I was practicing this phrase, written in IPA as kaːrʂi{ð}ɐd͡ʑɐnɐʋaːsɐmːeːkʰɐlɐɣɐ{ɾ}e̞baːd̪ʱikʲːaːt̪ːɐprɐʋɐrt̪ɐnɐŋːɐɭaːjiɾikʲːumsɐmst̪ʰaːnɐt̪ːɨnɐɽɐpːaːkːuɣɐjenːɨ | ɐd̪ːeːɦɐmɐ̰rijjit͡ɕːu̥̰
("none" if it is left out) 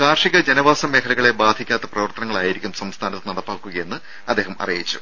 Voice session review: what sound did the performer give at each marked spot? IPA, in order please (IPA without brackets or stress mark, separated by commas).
ɣ, ɭ